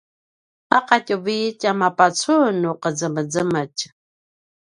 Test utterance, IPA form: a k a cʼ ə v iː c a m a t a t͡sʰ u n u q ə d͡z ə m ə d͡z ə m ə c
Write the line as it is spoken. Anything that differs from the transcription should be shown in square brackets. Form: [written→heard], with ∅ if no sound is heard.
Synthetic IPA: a [k→q] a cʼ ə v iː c a m a [t→p] a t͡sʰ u n u q ə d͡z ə m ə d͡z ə m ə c